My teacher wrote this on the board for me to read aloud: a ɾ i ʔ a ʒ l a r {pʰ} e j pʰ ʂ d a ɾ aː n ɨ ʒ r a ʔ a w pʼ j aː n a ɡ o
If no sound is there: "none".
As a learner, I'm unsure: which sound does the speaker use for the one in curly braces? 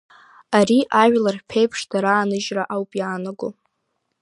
pʰ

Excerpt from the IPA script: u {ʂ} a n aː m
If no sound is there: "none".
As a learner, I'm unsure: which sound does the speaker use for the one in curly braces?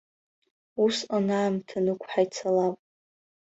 s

